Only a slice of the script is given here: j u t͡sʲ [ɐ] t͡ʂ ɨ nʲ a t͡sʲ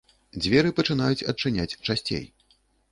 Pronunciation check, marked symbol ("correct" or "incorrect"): correct